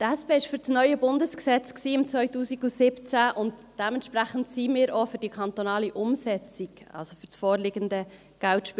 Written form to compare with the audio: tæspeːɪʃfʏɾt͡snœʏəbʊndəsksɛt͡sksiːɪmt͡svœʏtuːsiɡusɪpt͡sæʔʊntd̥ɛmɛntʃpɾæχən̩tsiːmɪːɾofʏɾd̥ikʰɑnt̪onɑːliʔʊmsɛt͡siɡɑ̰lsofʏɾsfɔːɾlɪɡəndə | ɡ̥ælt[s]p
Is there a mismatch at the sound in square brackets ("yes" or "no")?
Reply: yes